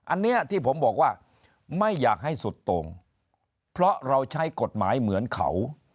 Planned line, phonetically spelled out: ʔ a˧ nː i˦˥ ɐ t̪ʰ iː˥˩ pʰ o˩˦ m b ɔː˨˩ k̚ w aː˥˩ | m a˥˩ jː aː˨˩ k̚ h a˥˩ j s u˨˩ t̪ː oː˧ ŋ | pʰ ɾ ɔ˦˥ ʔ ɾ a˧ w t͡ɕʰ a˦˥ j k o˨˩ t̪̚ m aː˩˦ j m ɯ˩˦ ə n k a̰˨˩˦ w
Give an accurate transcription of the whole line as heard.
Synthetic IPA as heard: ʔ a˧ nː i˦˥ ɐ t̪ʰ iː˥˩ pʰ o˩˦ m b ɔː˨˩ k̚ w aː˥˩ | m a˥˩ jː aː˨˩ k̚ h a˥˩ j s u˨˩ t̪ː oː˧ ŋ | pʰ ɾ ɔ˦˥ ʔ ɾ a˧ w t͡ɕʰ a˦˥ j k o˨˩ t̪̚ m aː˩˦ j m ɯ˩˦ ə n kʰ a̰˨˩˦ w

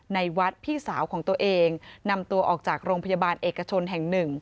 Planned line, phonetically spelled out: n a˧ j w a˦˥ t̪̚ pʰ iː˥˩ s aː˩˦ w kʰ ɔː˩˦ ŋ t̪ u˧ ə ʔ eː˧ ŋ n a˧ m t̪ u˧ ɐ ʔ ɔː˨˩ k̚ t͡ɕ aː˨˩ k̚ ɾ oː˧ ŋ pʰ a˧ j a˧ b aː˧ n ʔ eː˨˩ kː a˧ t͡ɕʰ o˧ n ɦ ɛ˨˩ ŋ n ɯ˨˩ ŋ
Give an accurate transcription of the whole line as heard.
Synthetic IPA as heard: n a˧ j w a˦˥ t̪̚ pʰ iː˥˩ s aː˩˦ w kʰ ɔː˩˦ ŋ t̪ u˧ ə ʔ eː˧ ŋ n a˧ m t̪ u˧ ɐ ʔ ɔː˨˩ k̚ t͡ɕ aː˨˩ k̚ ɾ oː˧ ŋ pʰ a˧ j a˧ b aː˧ n ʔ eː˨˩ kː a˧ t͡ɕʰ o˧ n ɦ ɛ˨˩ ŋ n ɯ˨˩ ŋ

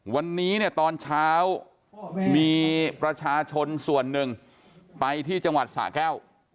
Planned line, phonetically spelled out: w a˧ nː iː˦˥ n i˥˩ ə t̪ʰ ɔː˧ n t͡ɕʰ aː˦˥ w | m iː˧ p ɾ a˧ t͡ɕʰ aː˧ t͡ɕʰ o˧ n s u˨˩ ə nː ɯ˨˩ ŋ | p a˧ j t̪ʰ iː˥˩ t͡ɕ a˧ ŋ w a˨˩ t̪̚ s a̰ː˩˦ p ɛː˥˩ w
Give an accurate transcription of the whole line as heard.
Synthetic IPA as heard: w a˧ nː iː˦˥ n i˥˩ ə t̪ ɔː˧ n t͡ɕʰ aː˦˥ w | m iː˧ p ɾ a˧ t͡ɕʰ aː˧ t͡ɕʰ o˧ n s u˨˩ ə nː ɯ˨˩ ŋ | p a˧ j t̪ʰ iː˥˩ t͡ɕ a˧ ŋ w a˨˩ t̪̚ s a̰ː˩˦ k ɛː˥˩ w

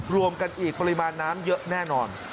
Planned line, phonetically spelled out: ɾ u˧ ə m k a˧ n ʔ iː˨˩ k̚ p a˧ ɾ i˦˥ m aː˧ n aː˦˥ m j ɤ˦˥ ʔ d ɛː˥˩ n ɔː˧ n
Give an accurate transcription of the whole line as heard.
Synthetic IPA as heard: ɾ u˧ ə m k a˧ n ʔ iː˨˩ k̚ p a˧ ɾ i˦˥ m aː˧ nː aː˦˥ m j ɤ˦˥ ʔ n ɛː˥˩ n ɔː˧ n

